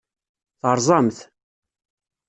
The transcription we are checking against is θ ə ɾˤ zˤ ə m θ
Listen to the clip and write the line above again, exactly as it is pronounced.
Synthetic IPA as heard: θ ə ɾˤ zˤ ɑ m θ